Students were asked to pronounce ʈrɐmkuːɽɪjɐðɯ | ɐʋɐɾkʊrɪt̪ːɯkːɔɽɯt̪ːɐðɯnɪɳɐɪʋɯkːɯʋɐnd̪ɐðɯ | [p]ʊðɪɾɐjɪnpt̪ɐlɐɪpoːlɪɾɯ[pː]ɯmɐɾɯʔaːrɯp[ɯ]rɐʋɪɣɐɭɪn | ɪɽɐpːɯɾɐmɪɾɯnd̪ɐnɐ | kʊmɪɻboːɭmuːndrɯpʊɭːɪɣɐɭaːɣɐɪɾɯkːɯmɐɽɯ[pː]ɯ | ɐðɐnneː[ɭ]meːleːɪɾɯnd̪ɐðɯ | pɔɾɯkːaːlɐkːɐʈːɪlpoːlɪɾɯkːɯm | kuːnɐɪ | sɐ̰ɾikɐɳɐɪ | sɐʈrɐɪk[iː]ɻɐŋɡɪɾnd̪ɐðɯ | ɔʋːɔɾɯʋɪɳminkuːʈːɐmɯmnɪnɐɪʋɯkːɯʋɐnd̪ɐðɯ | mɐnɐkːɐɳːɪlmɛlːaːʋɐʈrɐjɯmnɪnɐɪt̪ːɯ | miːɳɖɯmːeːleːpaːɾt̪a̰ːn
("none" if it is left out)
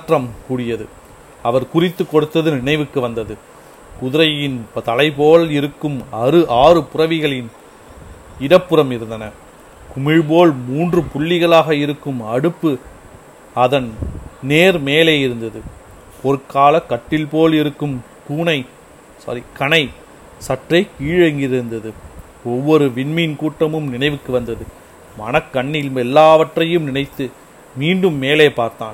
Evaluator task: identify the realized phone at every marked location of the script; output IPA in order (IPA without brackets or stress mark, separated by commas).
k, kː, ʊ, pː, ɾ, iː